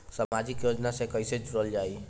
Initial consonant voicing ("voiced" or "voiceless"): voiceless